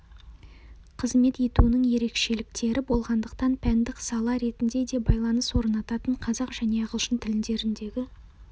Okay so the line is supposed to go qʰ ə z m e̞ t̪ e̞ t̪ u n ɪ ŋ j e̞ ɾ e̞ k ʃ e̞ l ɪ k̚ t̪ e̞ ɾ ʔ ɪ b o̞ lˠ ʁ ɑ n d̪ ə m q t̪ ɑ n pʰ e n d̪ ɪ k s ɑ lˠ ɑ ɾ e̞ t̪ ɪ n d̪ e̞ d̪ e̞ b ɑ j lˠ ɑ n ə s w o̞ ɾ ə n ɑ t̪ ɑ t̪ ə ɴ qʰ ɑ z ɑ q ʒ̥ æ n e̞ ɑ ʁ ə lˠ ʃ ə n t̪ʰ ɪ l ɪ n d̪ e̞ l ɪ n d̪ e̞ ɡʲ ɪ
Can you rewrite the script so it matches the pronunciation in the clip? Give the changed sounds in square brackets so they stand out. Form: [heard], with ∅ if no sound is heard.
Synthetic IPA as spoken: qʰ ə z m e̞ t̪ e̞ t̪ u n ɪ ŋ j e̞ ɾ e̞ k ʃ e̞ l ɪ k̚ t̪ e̞ ɾ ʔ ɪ b o̞ lˠ ʁ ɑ n d̪ ə [∅] q t̪ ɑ n pʰ [æ] n d̪ ɪ k s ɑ lˠ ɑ ɾ e̞ t̪ ɪ n d̪ e̞ d̪ e̞ b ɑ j lˠ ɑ n ə s w o̞ ɾ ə n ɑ t̪ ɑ t̪ ə ɴ qʰ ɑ z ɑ q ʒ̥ æ n e̞ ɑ ʁ ə lˠ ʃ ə n t̪ʰ ɪ l ɪ n d̪ e̞ [ɾ] ɪ n d̪ e̞ ɡʲ ɪ